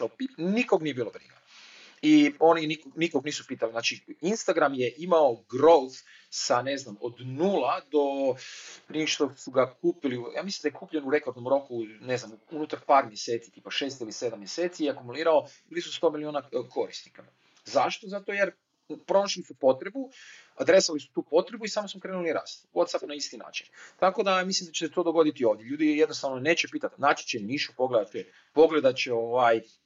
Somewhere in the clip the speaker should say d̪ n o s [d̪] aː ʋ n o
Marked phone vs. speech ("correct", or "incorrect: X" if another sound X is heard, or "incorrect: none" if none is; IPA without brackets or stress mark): incorrect: t̪